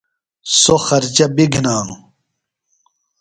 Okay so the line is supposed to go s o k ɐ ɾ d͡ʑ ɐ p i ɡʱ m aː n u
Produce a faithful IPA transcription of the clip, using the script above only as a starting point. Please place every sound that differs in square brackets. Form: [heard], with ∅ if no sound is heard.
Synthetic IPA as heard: s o [x] ɐ ɾ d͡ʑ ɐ [b] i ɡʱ [n] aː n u